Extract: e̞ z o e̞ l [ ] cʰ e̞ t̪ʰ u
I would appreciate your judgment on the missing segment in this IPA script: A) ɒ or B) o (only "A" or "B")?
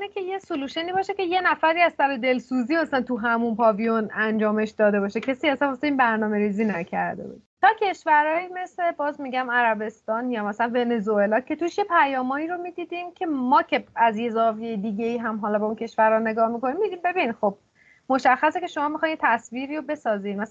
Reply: A